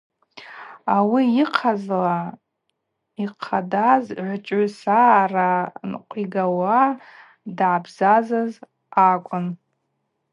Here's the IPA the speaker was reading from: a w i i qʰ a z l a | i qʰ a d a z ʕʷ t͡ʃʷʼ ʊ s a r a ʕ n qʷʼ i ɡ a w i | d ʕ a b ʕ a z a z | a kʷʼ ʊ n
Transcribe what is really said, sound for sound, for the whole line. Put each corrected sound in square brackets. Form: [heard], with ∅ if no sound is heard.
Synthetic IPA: a w i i qʰ a z l a | i qʰ a d a z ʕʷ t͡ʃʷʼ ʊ s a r a [∅] n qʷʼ i ɡ a w [a] | d ʕ a b [z] a z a z | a kʷʼ ʊ n